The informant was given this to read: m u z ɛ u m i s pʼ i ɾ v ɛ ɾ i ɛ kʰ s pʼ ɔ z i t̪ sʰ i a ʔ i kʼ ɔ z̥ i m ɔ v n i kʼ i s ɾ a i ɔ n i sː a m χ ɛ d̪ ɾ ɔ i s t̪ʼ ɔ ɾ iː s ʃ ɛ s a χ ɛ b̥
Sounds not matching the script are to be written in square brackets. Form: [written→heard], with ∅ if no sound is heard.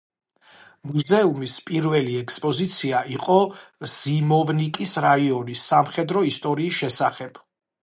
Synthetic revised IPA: m u z ɛ u m i s pʼ i ɾ v ɛ [ɾ→l] i ɛ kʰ s pʼ ɔ z i t̪ sʰ i a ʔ i [kʼ→qʼ] ɔ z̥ i m ɔ v n i kʼ i s ɾ a i ɔ n i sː a m χ ɛ d̪ ɾ ɔ i s t̪ʼ ɔ ɾ iː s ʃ ɛ s a χ ɛ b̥

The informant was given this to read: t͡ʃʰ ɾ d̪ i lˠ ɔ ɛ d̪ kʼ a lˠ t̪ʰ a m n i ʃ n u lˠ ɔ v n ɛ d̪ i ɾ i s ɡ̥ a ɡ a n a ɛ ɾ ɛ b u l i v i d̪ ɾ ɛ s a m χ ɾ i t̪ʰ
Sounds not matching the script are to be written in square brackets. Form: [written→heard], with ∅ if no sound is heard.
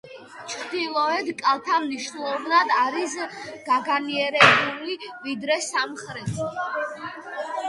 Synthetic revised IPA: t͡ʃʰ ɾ d̪ i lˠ ɔ ɛ d̪ kʼ a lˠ t̪ʰ a m n i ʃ n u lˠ ɔ v n [ɛ→a] d̪ [i→a] ɾ i s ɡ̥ a ɡ a n [a→i] ɛ ɾ ɛ b u l i v i d̪ ɾ ɛ s a m χ ɾ [i→ɛ] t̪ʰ

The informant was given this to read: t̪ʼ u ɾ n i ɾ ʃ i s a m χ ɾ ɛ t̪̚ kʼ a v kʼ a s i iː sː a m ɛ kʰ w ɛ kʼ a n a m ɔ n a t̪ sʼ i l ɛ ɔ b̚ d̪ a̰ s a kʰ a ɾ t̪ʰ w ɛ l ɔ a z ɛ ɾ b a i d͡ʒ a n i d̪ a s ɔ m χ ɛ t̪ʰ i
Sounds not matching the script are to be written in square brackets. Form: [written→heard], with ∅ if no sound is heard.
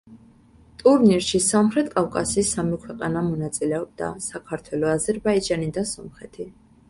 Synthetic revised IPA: t̪ʼ u ɾ n i ɾ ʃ i s a m χ ɾ ɛ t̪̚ kʼ a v kʼ a s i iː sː a m [ɛ→i] kʰ w ɛ [kʼ→qʼ] a n a m ɔ n a t̪ sʼ i l ɛ ɔ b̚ d̪ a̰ s a kʰ a ɾ t̪ʰ w ɛ l ɔ a z ɛ ɾ b a i d͡ʒ a n i d̪ a s ɔ m χ ɛ t̪ʰ i

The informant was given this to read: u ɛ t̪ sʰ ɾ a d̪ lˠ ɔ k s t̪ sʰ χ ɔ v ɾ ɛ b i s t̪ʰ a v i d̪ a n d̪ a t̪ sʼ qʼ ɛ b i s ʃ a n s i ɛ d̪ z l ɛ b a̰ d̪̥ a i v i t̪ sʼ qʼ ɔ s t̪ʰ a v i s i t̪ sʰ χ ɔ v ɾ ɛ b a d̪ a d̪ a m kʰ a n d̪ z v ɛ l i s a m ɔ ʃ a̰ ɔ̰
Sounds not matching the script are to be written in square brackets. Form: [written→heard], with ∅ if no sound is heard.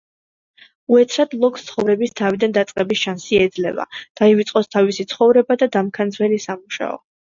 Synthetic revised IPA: u ɛ t̪ sʰ ɾ a d̪ lˠ ɔ k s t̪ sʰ χ ɔ v ɾ ɛ b i s t̪ʰ a v i d̪ a n d̪ a t̪ sʼ qʼ ɛ b i s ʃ a n s i ɛ d̪ z l ɛ [b→v] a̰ d̪̥ a i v i t̪ sʼ qʼ ɔ s t̪ʰ a v i s i t̪ sʰ χ ɔ v ɾ ɛ b a d̪ a d̪ a m kʰ a n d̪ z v ɛ l i s a m [ɔ→u] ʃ a̰ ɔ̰

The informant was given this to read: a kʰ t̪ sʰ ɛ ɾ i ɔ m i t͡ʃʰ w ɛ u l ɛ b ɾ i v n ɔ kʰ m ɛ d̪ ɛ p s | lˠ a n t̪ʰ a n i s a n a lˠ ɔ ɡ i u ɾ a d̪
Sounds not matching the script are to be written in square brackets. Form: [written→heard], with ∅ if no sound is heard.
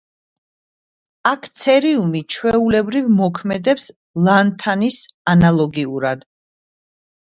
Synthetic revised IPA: a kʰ t̪ sʰ ɛ ɾ i [ɔ→u] m i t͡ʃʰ w ɛ u l ɛ b ɾ i v [n→m] ɔ kʰ m ɛ d̪ ɛ p s | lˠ a n t̪ʰ a n i s a n a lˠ ɔ ɡ i u ɾ a d̪

